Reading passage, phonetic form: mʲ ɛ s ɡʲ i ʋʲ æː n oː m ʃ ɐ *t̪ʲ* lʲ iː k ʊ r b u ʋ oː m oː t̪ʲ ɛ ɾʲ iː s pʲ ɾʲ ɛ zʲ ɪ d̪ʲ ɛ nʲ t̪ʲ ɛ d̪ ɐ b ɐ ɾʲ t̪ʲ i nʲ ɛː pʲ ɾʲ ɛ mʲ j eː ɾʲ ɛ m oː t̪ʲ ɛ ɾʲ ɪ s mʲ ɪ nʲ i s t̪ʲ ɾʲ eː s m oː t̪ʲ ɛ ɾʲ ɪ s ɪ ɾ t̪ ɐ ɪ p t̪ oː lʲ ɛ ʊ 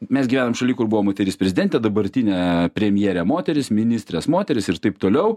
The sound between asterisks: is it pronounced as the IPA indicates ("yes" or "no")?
no